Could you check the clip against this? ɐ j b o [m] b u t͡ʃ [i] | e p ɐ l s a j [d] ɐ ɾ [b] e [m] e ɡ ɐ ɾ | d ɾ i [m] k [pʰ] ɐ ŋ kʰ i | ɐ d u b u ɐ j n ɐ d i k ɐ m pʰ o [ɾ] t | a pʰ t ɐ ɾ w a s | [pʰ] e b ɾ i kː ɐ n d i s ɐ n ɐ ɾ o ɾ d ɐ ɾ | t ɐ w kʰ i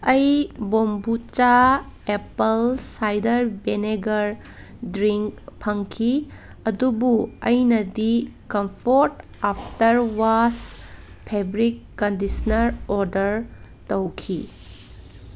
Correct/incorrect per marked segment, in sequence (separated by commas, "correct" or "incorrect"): correct, incorrect, correct, correct, incorrect, incorrect, correct, correct, correct